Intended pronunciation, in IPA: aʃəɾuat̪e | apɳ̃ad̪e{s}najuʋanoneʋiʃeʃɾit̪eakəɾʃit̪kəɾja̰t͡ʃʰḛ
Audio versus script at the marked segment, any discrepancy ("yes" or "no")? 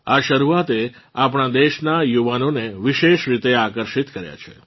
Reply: yes